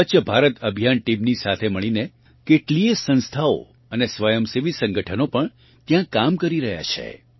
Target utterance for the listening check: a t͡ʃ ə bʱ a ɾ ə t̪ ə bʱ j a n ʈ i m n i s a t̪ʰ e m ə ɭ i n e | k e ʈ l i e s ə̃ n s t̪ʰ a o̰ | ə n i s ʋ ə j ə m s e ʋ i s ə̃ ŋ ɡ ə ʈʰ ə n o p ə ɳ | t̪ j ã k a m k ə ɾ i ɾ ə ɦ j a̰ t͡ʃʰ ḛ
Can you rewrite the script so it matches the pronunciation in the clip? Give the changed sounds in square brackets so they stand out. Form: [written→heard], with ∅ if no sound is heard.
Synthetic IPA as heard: [a→ə] t͡ʃ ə bʱ a ɾ ə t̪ ə bʱ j a n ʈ i m n i s a t̪ʰ e m ə ɭ i n e | k e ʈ l i e s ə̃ n s t̪ʰ a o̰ | ə n [i→e] s ʋ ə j ə m s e ʋ i s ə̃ ŋ ɡ ə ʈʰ ə n o p ə ɳ | t̪ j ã k a m k ə ɾ i ɾ ə ɦ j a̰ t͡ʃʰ ḛ